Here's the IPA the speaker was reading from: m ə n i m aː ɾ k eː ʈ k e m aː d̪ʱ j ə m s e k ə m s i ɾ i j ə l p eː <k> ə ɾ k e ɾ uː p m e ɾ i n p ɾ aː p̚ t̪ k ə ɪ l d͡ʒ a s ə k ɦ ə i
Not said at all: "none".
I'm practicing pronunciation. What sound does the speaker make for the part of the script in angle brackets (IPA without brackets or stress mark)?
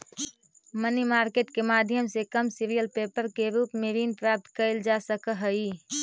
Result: p